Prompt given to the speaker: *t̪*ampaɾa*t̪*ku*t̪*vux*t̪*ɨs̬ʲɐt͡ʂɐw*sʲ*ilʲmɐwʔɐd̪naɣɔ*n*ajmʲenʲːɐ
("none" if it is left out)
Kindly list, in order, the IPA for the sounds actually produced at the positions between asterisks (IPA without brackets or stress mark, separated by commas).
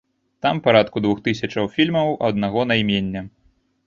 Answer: t̪, t̪, d̪, t̪, fʲ, n